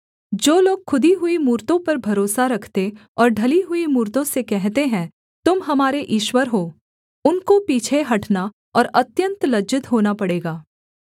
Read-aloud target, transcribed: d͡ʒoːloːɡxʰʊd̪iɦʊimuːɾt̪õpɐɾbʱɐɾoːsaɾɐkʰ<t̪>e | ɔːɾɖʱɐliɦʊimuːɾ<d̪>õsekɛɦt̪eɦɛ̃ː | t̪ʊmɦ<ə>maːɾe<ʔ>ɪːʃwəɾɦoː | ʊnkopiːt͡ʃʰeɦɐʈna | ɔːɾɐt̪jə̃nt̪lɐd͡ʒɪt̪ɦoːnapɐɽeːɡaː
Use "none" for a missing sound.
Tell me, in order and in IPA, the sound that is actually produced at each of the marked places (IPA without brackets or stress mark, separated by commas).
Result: t̪, t̪, ɐ, ʔ